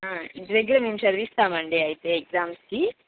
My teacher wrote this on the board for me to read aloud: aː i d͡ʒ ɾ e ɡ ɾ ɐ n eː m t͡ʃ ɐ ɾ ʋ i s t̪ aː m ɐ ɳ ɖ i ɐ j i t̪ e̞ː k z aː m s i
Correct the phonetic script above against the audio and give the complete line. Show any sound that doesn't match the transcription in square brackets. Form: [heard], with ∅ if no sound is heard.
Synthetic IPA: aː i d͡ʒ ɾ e ɡ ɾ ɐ [m] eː m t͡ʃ ɐ ɾ ʋ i s t̪ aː m ɐ ɳ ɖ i ɐ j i t̪ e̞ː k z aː m s i